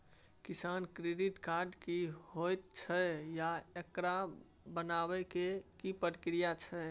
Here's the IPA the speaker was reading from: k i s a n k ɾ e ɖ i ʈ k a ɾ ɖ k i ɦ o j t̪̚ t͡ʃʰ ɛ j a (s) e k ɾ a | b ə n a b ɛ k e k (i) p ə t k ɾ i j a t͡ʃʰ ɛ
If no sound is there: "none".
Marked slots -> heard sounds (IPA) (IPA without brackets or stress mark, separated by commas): none, i